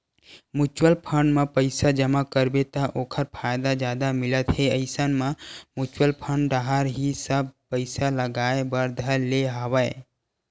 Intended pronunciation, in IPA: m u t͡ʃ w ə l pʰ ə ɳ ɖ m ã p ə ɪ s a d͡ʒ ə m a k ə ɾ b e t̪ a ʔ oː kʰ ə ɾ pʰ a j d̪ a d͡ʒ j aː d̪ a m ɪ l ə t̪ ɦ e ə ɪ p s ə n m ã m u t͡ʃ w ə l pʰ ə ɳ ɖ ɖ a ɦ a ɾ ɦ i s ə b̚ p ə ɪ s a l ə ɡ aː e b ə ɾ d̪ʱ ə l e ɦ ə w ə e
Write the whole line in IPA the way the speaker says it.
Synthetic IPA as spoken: m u t͡ʃ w ə l pʰ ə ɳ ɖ m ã p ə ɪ s a d͡ʒ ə m a k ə ɾ b e t̪ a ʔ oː kʰ ə ɾ pʰ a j d̪ a d͡ʒ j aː d̪ a m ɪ l ə t̪ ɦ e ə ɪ s ə n m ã m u t͡ʃ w ə l pʰ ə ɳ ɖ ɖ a ɦ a ɾ ɦ i s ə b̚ p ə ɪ s a l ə ɡ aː e b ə ɾ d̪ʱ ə l e ɦ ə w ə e